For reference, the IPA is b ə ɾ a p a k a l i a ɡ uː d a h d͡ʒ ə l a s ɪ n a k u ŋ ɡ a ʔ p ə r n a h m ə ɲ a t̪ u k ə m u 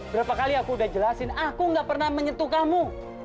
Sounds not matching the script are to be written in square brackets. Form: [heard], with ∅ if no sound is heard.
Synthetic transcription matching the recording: b ə ɾ a p a k a l i a [k] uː d a h d͡ʒ ə l a s ɪ n a k u ŋ ɡ a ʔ p ə r n a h m ə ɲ [ə] t̪ u k [a] m u